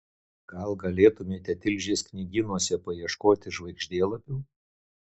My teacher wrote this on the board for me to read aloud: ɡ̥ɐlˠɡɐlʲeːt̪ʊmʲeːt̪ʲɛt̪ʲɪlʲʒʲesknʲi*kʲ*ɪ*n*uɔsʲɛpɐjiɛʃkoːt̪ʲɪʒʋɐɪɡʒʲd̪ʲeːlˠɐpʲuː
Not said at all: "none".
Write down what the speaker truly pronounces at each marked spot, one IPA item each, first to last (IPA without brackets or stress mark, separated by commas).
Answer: ɡʲ, n